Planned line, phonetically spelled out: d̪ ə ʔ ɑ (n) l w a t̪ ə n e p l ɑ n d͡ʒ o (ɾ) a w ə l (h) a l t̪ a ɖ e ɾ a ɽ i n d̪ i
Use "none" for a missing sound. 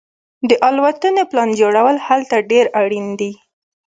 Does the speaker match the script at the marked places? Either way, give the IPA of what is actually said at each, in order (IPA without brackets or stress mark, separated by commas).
none, ɽ, h